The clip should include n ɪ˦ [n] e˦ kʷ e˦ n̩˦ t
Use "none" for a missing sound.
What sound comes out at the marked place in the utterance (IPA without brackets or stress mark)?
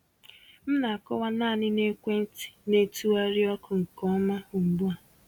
n